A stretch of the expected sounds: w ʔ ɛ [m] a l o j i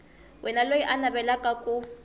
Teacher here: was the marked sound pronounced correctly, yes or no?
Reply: no